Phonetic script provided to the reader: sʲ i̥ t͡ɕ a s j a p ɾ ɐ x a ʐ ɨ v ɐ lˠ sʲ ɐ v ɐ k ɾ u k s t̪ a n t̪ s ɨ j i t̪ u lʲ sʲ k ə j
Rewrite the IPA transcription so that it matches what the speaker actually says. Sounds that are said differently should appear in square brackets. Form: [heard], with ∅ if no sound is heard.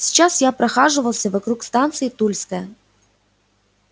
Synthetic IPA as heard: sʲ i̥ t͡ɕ a s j a p ɾ ɐ x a ʐ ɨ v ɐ lˠ sʲ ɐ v ɐ k ɾ u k s t̪ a n t̪ s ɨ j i t̪ u lʲ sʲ k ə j